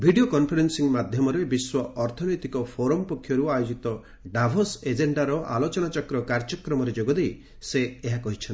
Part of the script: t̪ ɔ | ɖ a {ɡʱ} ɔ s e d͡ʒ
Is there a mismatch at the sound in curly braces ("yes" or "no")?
yes